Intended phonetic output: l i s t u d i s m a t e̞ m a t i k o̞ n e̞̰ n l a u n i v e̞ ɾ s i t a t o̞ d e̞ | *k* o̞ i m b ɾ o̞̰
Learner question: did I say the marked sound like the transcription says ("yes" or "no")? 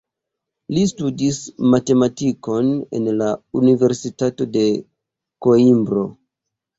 yes